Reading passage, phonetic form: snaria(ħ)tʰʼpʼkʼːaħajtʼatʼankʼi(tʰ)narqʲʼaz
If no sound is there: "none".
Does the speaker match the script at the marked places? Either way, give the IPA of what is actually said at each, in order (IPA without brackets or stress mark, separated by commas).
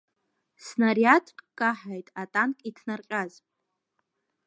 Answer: none, tʰ